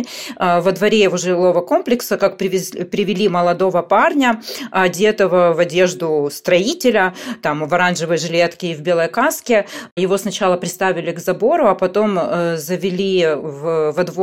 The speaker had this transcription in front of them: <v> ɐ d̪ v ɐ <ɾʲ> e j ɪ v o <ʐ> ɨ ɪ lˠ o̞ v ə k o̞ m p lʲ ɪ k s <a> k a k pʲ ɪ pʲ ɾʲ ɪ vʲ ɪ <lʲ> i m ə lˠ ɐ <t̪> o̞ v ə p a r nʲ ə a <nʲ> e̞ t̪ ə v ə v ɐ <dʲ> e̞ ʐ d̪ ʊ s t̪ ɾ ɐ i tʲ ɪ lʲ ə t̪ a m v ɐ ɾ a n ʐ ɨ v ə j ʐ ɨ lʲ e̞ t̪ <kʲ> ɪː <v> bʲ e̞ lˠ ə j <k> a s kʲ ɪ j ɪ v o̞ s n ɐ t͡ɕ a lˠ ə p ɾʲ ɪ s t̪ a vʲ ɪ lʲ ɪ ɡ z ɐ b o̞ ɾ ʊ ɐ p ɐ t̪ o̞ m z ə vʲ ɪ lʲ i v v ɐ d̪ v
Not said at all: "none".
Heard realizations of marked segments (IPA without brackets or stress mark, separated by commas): v, ɾʲ, ʐ, ə, lʲ, d̪, dʲ, dʲ, kʲ, v, k